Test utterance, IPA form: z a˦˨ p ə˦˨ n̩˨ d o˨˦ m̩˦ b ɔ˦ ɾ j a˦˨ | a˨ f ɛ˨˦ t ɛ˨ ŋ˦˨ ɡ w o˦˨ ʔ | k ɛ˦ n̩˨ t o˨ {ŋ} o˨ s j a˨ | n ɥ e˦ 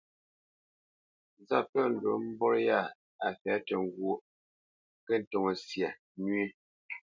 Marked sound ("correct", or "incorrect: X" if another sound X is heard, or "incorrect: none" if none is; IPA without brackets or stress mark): correct